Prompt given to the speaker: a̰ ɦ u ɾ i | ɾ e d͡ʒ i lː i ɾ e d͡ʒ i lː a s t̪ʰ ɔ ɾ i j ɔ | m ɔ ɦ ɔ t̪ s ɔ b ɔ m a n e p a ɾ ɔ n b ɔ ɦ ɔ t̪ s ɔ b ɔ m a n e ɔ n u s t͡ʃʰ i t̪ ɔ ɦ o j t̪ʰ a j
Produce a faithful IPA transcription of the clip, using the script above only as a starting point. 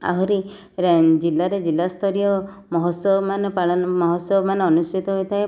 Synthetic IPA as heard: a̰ ɦ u ɾ i | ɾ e d͡ʒ i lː a ɾ e d͡ʒ i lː a s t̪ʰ ɔ ɾ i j ɔ | m ɔ ɦ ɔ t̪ s ɔ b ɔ m a n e p a ɭ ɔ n m ɔ ɦ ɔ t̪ s ɔ b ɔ m a n e ɔ n u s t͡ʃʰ i t̪ ɔ ɦ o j t̪ʰ a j